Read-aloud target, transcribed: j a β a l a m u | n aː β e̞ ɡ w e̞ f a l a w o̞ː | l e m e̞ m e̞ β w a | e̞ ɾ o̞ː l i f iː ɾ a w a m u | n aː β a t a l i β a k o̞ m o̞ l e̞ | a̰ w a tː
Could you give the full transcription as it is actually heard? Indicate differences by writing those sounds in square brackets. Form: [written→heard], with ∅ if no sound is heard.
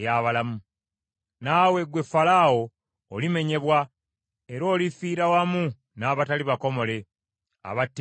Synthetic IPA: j a β a l a m u | n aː [β→w] e̞ ɡ w e̞ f a l a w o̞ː | l [e→i] m e̞ [m→ɲ] e̞ β w a | e̞ ɾ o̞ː l i f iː ɾ a w a m u | n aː β a t a l i β a k o̞ m o̞ l e̞ | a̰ [w→β] a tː